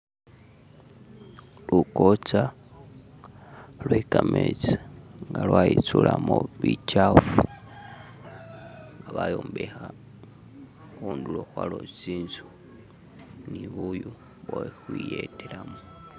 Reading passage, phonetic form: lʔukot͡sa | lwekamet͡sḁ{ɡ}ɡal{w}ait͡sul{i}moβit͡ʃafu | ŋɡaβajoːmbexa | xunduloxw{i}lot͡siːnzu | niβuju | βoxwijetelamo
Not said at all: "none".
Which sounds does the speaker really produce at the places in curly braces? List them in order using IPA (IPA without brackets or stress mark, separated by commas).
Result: ŋ, w, a, a